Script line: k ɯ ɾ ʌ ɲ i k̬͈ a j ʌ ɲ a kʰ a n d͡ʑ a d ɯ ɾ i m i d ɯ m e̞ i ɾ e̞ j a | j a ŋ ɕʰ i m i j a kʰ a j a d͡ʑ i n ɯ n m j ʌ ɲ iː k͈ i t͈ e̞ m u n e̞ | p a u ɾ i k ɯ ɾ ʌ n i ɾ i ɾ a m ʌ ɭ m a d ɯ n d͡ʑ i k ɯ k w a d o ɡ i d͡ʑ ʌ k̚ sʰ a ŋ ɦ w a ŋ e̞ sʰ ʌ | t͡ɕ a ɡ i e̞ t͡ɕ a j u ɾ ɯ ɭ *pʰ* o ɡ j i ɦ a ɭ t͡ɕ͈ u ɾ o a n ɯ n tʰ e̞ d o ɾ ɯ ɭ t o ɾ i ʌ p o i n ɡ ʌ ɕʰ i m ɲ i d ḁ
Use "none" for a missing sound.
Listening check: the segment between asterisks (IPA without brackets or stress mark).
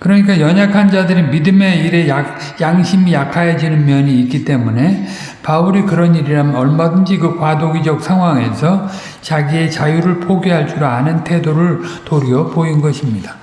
pʰ